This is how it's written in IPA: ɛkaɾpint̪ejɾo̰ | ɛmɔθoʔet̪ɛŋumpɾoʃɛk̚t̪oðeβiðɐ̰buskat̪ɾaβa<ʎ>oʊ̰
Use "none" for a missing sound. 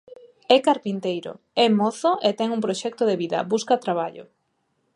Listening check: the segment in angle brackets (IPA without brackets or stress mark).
ʎ